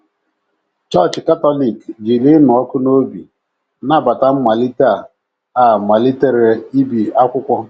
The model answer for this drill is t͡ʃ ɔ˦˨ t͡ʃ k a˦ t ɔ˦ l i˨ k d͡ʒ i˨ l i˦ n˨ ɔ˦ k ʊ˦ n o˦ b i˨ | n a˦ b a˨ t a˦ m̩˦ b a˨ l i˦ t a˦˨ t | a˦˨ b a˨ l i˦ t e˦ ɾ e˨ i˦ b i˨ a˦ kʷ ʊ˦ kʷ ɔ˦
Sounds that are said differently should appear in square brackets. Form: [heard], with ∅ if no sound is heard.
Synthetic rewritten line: t͡ʃ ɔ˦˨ t͡ʃ k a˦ t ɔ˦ l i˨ k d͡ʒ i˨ l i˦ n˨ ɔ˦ k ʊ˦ n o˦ b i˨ | n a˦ b a˨ t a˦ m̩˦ [m] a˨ l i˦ t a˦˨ [∅] | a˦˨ [m] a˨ l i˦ t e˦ ɾ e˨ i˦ b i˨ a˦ kʷ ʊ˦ kʷ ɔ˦